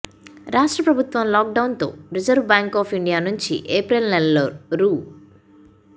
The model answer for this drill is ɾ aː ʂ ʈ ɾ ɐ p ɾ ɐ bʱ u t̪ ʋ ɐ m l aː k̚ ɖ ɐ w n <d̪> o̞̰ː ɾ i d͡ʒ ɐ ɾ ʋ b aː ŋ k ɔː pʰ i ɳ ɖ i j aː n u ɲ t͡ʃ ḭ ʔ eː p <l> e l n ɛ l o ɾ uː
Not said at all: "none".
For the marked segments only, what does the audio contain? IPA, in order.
t̪, ɾ

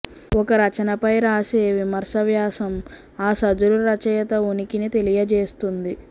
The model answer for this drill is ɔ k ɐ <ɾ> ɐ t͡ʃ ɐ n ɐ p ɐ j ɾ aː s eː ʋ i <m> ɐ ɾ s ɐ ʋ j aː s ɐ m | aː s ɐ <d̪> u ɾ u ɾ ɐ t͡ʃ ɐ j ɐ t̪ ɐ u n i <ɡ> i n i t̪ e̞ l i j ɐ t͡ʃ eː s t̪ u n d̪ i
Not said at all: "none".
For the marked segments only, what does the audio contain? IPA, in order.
ɾ, m, d̪, k

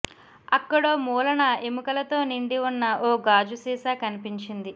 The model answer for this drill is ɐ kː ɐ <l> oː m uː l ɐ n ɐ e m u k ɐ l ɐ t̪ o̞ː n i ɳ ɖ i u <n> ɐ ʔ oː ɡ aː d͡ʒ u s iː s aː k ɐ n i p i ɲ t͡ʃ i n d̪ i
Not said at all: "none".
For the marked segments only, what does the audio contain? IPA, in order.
ɽ, nː

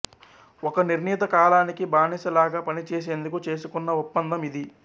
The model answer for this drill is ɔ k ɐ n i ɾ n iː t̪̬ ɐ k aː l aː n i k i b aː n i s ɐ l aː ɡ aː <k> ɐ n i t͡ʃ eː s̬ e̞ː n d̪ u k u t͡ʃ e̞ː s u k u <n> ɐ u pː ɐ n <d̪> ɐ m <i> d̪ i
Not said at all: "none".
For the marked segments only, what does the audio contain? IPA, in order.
p, nː, d̪, i

